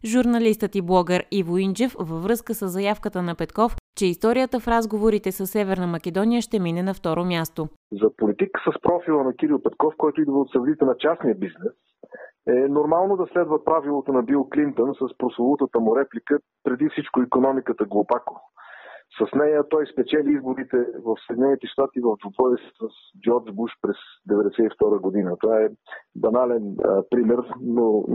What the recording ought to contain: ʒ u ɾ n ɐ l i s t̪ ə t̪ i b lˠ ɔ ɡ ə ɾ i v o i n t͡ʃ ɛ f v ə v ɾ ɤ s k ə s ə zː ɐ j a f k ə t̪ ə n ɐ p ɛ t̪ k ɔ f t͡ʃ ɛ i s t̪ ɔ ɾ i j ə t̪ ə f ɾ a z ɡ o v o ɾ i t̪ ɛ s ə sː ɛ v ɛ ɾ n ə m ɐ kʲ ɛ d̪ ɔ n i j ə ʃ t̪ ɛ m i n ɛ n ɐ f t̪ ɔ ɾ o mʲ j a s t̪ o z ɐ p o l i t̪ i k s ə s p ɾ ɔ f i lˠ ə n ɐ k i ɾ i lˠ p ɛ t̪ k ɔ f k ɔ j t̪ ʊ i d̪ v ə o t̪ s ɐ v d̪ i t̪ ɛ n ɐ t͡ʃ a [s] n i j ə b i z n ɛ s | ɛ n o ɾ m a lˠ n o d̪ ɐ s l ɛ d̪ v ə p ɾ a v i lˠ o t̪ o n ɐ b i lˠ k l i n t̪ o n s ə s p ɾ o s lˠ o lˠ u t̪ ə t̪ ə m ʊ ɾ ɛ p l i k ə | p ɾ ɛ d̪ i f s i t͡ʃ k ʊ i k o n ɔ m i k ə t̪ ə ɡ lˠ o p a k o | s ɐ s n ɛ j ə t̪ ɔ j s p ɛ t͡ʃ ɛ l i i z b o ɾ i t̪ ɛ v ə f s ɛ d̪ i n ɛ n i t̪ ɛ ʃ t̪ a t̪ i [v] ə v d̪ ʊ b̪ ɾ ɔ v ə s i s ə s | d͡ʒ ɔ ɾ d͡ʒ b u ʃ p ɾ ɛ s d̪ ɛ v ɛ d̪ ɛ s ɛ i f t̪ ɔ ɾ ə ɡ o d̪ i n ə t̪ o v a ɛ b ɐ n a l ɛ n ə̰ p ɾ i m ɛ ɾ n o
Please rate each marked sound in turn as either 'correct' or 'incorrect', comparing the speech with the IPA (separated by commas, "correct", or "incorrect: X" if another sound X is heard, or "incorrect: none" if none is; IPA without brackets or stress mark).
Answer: correct, correct